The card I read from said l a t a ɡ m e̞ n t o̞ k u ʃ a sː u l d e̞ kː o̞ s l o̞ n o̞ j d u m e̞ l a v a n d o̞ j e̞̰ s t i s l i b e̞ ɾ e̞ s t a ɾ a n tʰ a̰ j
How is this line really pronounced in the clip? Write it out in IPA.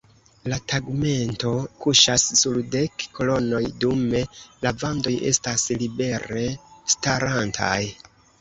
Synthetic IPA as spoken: l a t a ɡ m e̞ n t o̞ k u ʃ a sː u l d e̞ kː o̞ l o̞ n o̞ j d u m e̞ l a v a n d o̞ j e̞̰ s t a s l i b e̞ ɾ e̞ s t a ɾ a n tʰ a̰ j

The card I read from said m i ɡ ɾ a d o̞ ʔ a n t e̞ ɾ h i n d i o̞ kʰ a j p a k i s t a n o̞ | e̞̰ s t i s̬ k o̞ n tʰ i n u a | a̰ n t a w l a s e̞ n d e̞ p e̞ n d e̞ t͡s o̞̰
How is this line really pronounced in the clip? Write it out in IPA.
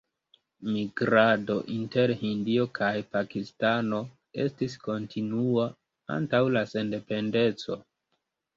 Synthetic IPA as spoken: m i ɡ ɾ a d o̞ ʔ i n t e̞ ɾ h i n d i o̞ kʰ a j p a k i s t a n o̞ | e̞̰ s t i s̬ k o̞ n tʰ i n u a | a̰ n t a w l a s e̞ n d e̞ p e̞ n d e̞ t͡s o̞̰

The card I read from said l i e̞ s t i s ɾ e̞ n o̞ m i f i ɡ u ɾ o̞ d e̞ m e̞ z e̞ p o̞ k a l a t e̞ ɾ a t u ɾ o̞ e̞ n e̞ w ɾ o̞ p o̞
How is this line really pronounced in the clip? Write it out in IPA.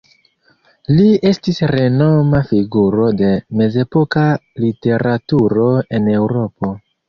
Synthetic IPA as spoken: l i e̞ s t i s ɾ e̞ n o̞ m a f i ɡ u ɾ o̞ d e̞ m e̞ z e̞ p o̞ k a l i t e̞ ɾ a t u ɾ o̞ e̞ n e̞ w ɾ o̞ p o̞

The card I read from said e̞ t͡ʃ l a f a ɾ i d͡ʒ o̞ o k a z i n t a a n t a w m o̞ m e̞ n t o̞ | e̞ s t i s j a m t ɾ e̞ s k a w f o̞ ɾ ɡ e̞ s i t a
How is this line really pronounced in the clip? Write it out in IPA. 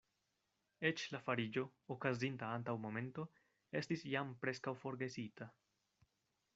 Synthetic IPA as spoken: e̞ t͡ʃ l a f a ɾ i d͡ʒ o̞ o k a z i n t a a n t a w m o̞ m e̞ n t o̞ | e̞ s t i s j a m p ɾ e̞ s k a w f o̞ ɾ ɡ e̞ s i t a

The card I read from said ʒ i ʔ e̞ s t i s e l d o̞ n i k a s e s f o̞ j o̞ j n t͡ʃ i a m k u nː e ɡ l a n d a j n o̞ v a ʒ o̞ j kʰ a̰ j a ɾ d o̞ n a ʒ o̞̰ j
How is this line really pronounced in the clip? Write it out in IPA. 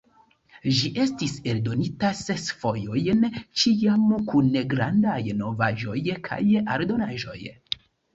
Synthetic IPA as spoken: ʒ i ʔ e̞ s t i s e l d o̞ n i t a s e s f o̞ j o̞ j n t͡ʃ i a m k u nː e ɡ ɾ a n d a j n o̞ v a ʒ o̞ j kʰ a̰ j a ɾ d o̞ n a ʒ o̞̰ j

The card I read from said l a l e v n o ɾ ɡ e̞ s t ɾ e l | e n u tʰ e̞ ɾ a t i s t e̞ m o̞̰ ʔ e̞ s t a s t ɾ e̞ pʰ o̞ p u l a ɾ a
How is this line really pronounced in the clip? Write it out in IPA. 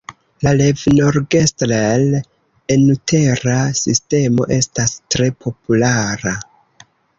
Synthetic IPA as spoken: l a l e v n o ɾ ɡ e̞ s t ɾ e l | e n u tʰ e̞ ɾ a s i s t e̞ m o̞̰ ʔ e̞ s t a s t ɾ e̞ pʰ o̞ p u l a ɾ a

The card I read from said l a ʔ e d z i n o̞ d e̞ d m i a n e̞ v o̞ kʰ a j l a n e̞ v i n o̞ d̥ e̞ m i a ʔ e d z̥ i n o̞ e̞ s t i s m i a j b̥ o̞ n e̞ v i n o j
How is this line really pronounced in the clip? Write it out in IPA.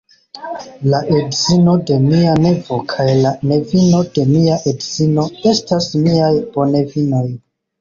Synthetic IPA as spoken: l a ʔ e d z i n o̞ d e̞ m i a n e̞ v o̞ kʰ a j l a n e̞ v i n o̞ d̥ e̞ m i a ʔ e d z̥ i n o̞ e̞ s t a s m i a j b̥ o̞ n e̞ v i n o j

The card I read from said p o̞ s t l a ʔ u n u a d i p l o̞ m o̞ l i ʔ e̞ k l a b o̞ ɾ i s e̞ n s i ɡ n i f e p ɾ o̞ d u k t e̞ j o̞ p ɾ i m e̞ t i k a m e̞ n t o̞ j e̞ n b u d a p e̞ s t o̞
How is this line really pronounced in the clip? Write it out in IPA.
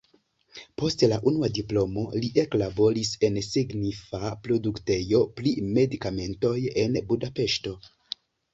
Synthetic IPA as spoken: p o̞ s t l a ʔ u n u a d i p l o̞ m o̞ l i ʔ e̞ k l a b o̞ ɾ i s e̞ n s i ɡ n i f a p ɾ o̞ d u k t e̞ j o̞ p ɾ i m e̞ d i k a m e̞ n t o̞ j e̞ n b u d a p e̞ ʃ t o̞

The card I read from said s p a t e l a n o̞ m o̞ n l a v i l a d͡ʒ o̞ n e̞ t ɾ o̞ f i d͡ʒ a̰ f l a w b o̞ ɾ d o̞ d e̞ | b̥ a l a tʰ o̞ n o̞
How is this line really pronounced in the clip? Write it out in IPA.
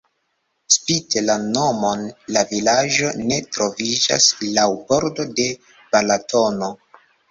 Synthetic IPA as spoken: s p i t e l a n o̞ m o̞ n l a v i l a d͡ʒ o̞ n e̞ t ɾ o̞ v i d͡ʒ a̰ s l a w b o̞ ɾ d o̞ d e̞ | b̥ a l a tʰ o̞ n o̞

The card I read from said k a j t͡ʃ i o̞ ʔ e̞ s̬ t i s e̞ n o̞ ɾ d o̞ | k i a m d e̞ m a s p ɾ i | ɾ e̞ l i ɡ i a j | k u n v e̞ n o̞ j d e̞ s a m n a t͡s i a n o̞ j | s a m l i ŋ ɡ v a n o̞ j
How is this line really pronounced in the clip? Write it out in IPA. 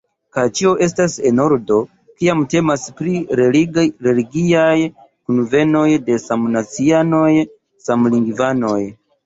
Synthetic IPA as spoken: k a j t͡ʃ i o̞ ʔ e̞ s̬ t a s e̞ n o̞ ɾ d o̞ | k i a m t e̞ m a s p ɾ i | ɾ e̞ l i ɡ i a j | k u n v e̞ n o̞ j d e̞ s a m n a t͡s i a n o̞ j | s a m l i ŋ ɡ v a n o̞ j

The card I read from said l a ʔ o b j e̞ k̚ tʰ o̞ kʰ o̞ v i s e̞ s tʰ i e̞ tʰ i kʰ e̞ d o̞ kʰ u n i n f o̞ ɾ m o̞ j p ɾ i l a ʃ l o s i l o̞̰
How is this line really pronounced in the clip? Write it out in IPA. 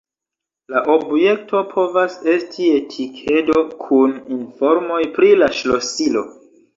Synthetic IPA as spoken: l a ʔ o b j e̞ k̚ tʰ o̞ pʰ o̞ v a s e̞ s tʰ i e̞ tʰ i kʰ e̞ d o̞ kʰ u n i n f o̞ ɾ m o̞ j p ɾ i l a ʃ l o s i l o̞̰

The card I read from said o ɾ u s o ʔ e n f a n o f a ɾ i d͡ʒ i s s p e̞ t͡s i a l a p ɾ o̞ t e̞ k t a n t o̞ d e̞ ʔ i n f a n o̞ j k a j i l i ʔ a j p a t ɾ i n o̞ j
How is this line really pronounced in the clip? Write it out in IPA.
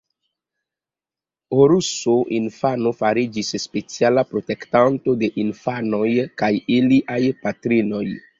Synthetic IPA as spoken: o ɾ u s o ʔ i n f a n o f a ɾ i d͡ʒ i s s p e̞ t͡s i a l a p ɾ o̞ t e̞ k t a n t o̞ d e̞ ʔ i n f a n o̞ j k a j i l i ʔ a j p a t ɾ i n o̞ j

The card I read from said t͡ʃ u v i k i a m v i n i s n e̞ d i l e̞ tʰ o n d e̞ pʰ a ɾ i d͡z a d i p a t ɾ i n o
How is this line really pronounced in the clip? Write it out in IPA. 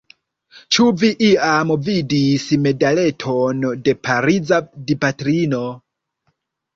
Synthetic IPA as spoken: t͡ʃ u v i ʔ i a m v i d i s m e̞ d a l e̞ tʰ o n d e̞ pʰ a ɾ i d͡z a d i p a t ɾ i n o

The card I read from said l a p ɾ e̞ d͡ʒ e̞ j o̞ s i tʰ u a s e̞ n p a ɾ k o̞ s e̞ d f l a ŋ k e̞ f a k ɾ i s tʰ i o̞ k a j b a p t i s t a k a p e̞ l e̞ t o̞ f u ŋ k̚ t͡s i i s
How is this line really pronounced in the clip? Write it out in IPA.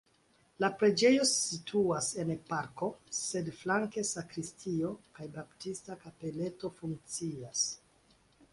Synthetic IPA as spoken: l a p ɾ e̞ d͡ʒ e̞ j o̞ s i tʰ u a s e̞ n p a ɾ k o̞ s e̞ d f l a ŋ k e̞ s a k ɾ i s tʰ i o̞ k a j b a p t i s t a k a p e̞ l e̞ t o̞ f u ŋ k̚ t͡s i a s

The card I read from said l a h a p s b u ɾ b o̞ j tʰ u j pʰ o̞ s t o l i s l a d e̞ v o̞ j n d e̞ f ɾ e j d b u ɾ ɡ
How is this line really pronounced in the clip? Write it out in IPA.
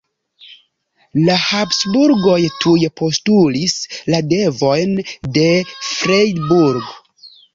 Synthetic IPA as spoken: l a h a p s b u ɾ ɡ o̞ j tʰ u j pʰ o̞ s t u l i s l a d e̞ v o̞ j n d e̞ f ɾ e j d b u ɾ ɡ

